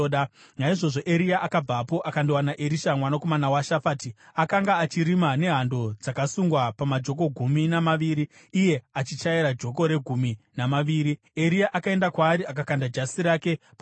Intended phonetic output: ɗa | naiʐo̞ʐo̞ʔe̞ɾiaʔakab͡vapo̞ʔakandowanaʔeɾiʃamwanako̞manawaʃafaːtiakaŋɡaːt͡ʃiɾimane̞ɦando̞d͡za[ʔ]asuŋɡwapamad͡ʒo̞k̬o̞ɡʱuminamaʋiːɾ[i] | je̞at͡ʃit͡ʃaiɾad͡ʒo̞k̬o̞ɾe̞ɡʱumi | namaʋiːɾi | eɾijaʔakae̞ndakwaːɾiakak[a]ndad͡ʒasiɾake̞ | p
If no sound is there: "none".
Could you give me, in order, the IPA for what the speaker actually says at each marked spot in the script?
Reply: k, iː, a

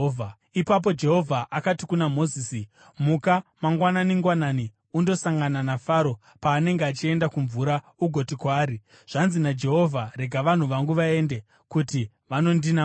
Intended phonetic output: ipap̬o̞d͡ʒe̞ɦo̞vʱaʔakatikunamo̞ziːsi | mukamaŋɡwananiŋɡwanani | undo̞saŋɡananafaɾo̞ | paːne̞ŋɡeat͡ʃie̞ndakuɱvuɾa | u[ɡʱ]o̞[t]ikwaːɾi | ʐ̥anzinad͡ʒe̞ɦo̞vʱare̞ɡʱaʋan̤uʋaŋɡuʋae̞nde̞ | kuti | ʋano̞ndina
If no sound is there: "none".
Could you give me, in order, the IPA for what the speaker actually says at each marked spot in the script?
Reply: ɡʱ, t

